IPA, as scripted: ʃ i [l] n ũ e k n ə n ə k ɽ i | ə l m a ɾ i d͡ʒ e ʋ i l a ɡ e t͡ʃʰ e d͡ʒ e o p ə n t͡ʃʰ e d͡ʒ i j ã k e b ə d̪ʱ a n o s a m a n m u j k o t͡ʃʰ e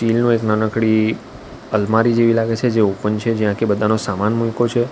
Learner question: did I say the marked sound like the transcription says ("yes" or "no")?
yes